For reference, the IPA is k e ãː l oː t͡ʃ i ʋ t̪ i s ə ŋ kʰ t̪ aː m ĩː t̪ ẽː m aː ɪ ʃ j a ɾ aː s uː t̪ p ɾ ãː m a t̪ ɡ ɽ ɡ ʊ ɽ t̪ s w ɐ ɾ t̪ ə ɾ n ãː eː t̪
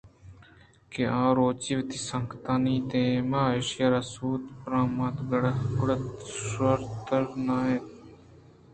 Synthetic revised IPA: k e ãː ɾ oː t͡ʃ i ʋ t̪ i s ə ŋ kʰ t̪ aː n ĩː t̪ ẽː m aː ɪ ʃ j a ɾ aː s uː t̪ p ɾ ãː m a t̪ ɡ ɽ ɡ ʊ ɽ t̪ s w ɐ ɾ t̪ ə ɾ n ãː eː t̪